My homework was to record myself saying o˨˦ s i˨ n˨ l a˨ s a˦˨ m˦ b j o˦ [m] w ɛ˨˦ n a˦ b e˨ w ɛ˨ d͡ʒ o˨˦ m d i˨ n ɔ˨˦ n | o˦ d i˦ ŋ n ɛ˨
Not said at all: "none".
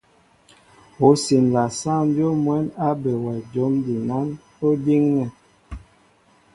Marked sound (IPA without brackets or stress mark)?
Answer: m